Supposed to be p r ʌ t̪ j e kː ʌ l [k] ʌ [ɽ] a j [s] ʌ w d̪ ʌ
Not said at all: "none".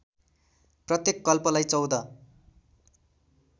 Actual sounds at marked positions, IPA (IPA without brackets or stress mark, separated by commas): p, l, t͡s